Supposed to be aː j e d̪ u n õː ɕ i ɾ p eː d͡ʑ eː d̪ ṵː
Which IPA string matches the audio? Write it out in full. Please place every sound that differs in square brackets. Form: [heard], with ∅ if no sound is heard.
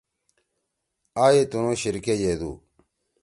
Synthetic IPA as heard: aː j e [t̪] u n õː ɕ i ɾ [k] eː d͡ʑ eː d̪ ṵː